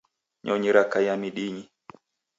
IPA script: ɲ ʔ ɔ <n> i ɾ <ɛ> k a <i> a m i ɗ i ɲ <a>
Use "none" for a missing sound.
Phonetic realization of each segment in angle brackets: ɲ, a, j, i

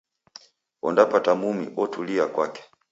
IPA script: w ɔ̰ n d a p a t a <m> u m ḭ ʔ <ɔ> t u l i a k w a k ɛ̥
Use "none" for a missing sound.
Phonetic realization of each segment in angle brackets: m, ɔ

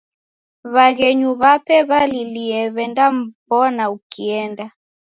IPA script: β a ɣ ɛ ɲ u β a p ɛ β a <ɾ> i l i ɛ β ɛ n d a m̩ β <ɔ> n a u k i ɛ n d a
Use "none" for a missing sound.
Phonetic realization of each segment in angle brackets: l, ɔ

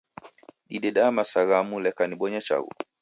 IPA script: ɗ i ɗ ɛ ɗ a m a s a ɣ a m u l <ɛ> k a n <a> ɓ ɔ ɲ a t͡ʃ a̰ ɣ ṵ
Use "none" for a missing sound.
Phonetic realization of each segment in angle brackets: ɛ, i

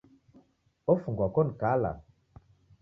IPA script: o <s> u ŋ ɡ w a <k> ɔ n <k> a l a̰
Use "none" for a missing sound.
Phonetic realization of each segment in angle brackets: f, k, k

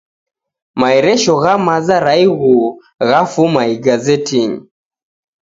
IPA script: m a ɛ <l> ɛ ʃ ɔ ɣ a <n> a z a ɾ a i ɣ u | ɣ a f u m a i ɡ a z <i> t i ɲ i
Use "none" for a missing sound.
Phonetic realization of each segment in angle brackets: ɾ, m, ɛ

